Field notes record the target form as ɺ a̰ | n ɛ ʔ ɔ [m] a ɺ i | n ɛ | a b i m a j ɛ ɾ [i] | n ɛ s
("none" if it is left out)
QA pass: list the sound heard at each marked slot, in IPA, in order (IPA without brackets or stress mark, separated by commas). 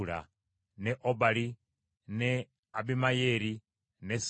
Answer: b, i